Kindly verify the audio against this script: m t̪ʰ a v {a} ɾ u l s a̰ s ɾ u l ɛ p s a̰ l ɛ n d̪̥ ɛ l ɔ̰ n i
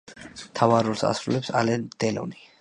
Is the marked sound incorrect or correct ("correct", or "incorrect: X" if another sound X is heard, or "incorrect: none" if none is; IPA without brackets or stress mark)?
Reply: correct